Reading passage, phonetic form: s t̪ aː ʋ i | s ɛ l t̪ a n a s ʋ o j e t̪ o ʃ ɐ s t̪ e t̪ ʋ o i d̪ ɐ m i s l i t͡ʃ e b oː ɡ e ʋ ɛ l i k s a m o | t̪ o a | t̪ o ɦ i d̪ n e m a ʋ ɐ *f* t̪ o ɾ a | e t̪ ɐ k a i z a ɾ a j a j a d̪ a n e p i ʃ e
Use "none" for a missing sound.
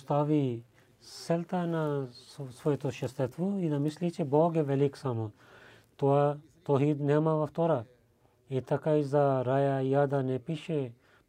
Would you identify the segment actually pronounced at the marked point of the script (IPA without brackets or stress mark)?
f